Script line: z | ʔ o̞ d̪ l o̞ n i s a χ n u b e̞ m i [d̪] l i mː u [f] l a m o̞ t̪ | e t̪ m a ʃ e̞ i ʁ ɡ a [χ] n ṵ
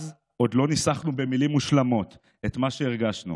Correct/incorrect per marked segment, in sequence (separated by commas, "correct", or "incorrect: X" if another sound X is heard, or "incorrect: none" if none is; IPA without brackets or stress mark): incorrect: none, incorrect: ʃ, incorrect: ʃ